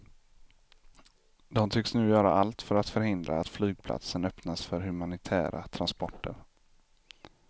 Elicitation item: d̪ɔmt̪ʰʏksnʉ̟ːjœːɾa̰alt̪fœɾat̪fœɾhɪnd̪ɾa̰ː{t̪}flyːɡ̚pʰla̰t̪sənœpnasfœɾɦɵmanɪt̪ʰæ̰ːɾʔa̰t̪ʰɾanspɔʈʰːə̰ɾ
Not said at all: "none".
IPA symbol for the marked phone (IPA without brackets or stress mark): t̪